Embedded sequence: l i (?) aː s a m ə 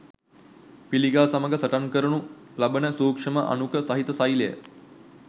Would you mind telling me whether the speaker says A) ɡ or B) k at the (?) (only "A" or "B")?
A